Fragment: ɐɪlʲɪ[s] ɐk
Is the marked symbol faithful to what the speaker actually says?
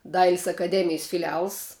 yes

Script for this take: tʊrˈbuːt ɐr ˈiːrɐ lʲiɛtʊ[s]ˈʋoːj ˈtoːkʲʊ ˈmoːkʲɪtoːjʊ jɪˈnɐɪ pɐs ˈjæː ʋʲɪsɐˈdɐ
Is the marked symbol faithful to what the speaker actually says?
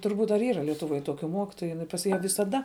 no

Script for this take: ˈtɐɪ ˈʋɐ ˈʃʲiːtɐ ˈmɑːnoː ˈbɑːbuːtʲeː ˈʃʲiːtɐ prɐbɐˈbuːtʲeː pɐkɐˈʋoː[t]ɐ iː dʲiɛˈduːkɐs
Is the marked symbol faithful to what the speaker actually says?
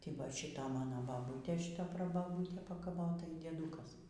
yes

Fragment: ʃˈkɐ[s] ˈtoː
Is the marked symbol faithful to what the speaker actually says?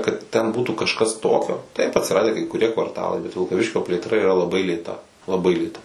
yes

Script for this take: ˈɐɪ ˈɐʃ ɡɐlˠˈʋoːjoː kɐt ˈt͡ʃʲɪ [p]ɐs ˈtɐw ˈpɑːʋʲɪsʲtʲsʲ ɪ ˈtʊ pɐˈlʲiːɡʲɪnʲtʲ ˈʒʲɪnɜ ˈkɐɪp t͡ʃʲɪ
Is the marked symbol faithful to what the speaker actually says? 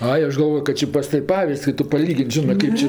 yes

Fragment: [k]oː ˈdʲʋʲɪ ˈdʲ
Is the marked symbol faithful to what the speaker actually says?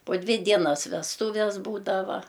no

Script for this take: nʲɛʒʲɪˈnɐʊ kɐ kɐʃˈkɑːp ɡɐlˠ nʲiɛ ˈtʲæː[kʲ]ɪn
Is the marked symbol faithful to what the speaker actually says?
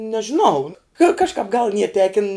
yes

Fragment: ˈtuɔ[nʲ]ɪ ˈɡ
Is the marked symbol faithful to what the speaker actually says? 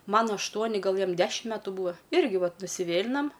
yes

